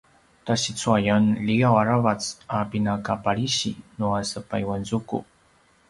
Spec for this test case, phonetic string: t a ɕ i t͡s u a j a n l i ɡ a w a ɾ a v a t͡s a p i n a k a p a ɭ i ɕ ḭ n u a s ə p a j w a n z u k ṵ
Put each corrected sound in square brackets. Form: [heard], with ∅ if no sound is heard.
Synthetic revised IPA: t a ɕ i t͡s u a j a n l i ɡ a w a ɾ a v a t͡s a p i n a k a p a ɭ i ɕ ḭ n u a s ə p a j w a n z u k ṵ